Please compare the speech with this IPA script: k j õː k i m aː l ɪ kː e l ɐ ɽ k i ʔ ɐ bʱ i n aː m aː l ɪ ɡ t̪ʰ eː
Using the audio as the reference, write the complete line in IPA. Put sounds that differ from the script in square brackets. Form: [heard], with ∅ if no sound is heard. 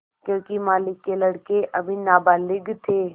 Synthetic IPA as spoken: k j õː k i m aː l ɪ kː e l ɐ ɽ k [e] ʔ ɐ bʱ i n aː [b] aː l ɪ ɡ t̪ʰ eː